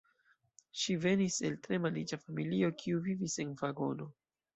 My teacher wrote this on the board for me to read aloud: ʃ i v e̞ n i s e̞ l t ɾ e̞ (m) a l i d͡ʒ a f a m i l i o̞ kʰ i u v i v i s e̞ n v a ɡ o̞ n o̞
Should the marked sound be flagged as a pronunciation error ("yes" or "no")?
no